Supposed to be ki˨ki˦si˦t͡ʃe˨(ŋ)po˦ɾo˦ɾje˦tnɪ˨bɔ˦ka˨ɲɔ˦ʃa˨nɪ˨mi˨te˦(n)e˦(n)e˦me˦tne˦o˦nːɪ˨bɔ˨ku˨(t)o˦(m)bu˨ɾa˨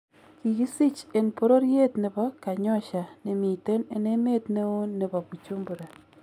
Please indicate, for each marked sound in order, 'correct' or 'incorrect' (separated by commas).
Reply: incorrect, correct, correct, incorrect, correct